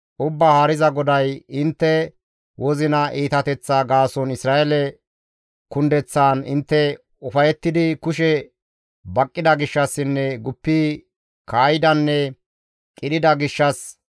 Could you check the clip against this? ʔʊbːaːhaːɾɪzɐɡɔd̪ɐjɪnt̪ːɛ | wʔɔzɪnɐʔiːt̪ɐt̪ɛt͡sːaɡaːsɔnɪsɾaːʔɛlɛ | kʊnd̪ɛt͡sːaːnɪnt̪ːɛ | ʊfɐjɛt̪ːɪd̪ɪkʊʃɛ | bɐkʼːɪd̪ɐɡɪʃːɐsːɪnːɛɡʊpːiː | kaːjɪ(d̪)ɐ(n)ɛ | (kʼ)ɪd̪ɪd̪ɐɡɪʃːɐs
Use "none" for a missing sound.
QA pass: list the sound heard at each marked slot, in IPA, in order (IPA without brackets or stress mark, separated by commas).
d̪, nː, kʼ